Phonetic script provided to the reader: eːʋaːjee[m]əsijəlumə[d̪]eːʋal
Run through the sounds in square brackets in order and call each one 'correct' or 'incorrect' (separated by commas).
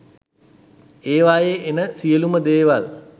incorrect, correct